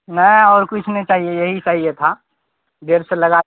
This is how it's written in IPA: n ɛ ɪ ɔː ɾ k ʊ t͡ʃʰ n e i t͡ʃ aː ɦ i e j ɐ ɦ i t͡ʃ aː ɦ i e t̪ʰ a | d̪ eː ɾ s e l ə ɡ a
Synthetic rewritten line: n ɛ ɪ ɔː ɾ k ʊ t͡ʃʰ n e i t͡ʃ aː ɦ i e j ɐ ɦ i t͡ʃ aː ɦ i e t̪ʰ a | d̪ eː ɾ s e l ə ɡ a

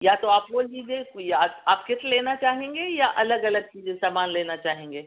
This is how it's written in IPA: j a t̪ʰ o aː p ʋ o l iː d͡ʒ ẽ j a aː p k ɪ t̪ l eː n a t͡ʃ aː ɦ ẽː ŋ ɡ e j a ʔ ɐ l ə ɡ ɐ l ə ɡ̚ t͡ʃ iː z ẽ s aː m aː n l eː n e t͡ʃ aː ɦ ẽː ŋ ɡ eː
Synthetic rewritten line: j a t̪ o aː p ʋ o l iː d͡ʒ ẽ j a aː p k ɪ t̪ l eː n a t͡ʃ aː ɦ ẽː ŋ ɡ e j a ʔ ɐ l ə ɡ ɐ l ə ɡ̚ t͡ʃ iː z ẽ s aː m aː n l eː n a t͡ʃ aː ɦ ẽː ŋ ɡ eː

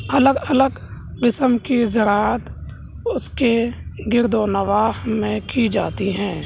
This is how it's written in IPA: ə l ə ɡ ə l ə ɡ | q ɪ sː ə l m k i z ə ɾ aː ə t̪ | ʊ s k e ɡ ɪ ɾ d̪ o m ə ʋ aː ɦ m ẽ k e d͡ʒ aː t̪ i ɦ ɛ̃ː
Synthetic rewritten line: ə l ə ɡ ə l ə ɡ | q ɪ s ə m k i z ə ɾ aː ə t̪ | ʊ s k e ɡ ɪ ɾ d̪ o n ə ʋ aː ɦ m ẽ k i d͡ʒ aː t̪ i ɦ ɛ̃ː

